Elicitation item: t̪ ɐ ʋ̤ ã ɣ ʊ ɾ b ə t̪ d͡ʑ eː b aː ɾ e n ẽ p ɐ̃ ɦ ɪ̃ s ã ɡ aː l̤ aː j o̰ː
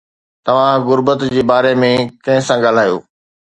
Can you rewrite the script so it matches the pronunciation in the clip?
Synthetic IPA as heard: t̪ ɐ ʋ̤ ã ɣ ʊ ɾ b ə t̪ d͡ʑ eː b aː ɾ e m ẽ k ɐ̃ ɦ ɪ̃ s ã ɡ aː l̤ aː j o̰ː